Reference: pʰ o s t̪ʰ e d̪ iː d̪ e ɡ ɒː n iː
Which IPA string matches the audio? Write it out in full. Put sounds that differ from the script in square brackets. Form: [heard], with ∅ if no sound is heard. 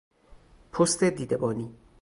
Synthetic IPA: pʰ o s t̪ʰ e d̪ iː d̪ e [b] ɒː n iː